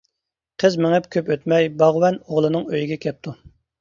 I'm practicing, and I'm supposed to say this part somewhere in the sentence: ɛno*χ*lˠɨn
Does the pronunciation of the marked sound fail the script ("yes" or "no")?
yes